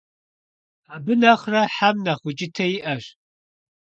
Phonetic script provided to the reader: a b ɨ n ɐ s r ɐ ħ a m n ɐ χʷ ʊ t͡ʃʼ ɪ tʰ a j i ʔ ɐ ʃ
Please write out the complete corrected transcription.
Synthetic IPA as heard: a b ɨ n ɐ χ r ɐ ħ a m n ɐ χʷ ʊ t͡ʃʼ ɪ tʰ ɐ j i ʔ ɐ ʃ